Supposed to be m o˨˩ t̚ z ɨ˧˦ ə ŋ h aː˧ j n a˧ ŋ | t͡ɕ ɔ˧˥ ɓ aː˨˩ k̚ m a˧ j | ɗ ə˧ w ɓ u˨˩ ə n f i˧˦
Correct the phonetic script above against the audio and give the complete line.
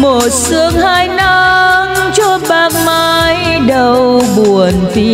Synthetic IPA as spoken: m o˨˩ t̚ s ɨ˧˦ ə ŋ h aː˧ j n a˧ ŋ | t͡ɕ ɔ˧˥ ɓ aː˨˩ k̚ m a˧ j | ɗ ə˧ w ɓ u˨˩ ə n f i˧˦